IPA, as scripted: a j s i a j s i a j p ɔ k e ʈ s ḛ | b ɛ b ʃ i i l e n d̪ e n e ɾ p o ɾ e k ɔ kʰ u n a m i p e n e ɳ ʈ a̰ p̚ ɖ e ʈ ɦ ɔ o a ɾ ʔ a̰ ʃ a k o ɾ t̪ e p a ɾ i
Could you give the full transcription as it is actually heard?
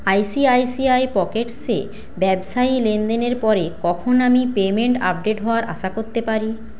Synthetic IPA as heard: a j s i a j s i a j p ɔ k e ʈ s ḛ | b ɛ b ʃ a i l e n d̪ e n e ɾ p ɔ ɾ e k ɔ kʰ o n a m i p e m e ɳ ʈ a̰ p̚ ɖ e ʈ ɦ ɔ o a ɾ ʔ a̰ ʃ a k o ɾ t̪ e p a ɾ i